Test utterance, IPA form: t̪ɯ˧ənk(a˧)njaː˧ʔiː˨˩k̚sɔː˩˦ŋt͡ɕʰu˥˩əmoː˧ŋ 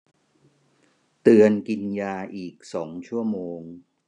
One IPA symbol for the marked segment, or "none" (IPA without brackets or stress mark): i˧